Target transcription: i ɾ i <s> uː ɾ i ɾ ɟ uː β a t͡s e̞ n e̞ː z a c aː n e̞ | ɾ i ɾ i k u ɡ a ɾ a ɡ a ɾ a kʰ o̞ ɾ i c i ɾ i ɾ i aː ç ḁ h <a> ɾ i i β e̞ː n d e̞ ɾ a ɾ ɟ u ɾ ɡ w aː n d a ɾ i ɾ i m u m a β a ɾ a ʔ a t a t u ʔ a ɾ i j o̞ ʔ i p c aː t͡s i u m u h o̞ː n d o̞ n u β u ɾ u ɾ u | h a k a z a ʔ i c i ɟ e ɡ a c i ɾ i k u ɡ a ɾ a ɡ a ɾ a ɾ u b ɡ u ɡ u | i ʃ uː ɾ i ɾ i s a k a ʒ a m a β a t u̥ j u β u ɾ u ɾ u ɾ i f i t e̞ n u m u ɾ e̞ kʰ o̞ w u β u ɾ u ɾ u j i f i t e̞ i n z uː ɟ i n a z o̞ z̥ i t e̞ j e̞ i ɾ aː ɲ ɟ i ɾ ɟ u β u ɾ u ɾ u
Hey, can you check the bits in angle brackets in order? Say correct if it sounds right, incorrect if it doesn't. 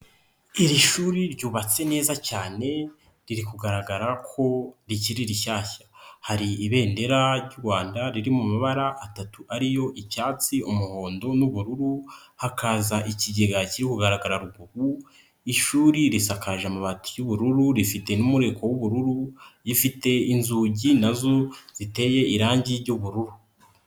incorrect, correct

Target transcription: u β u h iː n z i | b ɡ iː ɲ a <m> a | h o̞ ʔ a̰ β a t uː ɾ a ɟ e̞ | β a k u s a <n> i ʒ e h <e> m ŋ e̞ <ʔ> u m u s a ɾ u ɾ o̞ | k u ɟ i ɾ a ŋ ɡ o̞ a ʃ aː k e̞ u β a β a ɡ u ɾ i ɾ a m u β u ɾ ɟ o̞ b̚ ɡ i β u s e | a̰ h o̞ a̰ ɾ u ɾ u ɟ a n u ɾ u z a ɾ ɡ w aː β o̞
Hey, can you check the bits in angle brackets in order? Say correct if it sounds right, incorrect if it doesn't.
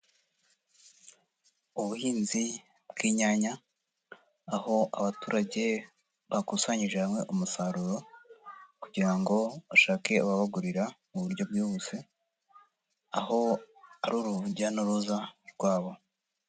incorrect, incorrect, incorrect, correct

